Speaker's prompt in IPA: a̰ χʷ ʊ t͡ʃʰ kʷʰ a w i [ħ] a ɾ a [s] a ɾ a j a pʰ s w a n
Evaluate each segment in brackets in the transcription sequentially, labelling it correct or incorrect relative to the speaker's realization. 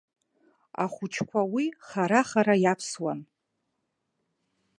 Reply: incorrect: χ, incorrect: χ

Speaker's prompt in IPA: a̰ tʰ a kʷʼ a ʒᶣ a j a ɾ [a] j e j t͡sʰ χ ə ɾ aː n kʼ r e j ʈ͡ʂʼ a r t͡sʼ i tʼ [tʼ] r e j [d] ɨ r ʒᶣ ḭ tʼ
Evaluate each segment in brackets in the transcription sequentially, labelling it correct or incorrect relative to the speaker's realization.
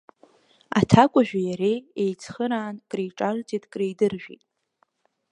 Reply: incorrect: e, incorrect: kʼ, correct

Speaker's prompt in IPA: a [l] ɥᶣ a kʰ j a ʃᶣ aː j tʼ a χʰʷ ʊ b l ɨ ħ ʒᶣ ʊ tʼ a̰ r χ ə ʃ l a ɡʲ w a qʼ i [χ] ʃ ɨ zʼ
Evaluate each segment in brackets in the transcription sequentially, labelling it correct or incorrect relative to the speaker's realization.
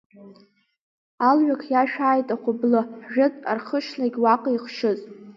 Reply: correct, correct

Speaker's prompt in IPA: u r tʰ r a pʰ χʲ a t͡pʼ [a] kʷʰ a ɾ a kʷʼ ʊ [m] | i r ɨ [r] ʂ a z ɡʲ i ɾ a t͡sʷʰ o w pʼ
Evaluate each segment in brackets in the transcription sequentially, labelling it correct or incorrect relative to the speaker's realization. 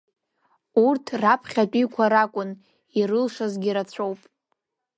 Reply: incorrect: i, incorrect: n, incorrect: l

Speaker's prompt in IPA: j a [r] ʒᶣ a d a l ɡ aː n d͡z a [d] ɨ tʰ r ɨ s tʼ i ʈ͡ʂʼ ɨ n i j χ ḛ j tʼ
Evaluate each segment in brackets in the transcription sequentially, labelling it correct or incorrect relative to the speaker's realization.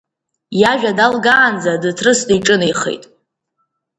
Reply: incorrect: none, correct

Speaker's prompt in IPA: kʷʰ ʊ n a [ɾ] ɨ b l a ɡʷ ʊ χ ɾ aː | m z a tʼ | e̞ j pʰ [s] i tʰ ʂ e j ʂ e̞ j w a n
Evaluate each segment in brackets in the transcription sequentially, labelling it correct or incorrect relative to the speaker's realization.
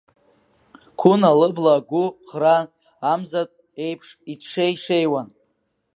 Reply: incorrect: l, incorrect: ʂ

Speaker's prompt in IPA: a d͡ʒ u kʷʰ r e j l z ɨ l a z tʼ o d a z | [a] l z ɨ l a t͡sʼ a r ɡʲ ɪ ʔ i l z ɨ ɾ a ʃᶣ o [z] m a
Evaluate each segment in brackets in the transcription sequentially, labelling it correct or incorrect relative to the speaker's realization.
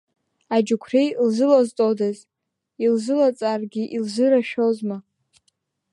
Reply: incorrect: i, correct

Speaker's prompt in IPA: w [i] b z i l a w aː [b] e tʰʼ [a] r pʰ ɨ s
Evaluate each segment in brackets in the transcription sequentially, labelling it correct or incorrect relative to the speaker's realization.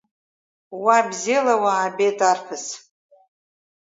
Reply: incorrect: a, correct, correct

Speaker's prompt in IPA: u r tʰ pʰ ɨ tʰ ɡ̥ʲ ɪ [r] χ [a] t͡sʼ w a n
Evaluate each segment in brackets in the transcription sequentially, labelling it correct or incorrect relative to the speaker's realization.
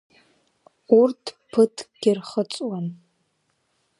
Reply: correct, incorrect: ə

